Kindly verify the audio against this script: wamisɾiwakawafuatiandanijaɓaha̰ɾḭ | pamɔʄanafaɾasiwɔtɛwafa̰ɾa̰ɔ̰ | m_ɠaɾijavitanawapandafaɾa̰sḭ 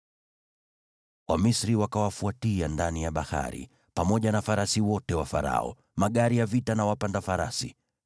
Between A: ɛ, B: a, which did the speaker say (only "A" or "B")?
B